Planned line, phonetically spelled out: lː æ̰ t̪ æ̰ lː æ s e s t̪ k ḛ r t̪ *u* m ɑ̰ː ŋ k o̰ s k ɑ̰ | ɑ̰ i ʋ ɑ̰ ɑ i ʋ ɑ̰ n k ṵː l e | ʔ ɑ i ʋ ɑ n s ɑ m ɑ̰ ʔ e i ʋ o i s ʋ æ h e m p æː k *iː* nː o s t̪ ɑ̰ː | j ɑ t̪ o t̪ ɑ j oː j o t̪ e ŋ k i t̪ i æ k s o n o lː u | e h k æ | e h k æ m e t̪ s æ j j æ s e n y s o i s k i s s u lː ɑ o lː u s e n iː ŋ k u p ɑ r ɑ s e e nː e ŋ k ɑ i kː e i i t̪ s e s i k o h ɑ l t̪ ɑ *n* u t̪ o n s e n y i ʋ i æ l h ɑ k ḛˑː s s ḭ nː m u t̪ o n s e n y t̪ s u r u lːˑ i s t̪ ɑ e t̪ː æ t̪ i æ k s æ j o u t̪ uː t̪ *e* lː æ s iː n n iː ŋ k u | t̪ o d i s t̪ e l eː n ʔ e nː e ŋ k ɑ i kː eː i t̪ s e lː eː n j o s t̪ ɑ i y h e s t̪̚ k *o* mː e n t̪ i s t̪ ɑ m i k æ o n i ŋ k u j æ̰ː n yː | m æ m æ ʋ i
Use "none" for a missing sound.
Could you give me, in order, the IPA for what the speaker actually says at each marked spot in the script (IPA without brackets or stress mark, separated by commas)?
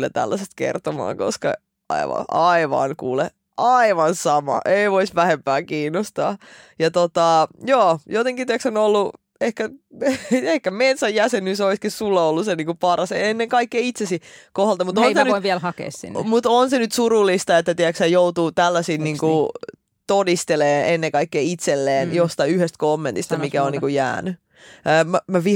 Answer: o, iː, m, æ, o